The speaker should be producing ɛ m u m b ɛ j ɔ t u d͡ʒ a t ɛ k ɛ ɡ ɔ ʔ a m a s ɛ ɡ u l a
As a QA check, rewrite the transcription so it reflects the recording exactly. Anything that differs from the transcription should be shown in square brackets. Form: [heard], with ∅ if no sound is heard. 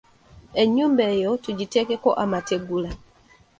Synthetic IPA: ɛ [ɲ] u m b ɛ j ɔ t u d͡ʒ [i] t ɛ k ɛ [k] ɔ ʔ a m a [t] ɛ ɡ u l a